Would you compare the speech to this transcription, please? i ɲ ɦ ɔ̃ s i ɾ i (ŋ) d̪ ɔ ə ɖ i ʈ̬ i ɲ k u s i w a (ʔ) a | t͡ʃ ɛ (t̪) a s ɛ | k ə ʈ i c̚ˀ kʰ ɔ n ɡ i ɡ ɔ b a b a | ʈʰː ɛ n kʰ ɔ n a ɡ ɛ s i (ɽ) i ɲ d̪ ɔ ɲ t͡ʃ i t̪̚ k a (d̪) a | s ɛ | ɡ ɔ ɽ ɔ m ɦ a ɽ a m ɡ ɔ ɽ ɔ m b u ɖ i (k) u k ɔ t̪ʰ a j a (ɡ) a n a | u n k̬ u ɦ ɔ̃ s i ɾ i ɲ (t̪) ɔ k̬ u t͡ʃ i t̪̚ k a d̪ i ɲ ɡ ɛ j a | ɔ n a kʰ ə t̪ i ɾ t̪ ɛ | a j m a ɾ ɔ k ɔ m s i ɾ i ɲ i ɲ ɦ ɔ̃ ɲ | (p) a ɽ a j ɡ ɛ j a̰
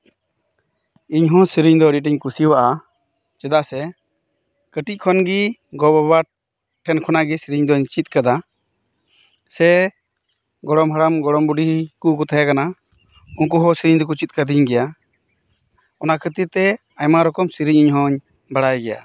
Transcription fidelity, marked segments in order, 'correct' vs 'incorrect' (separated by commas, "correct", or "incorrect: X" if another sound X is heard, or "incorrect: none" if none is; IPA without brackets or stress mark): incorrect: ɲ, correct, incorrect: d̪, incorrect: ɾ, correct, correct, incorrect: k, incorrect: d̪, incorrect: b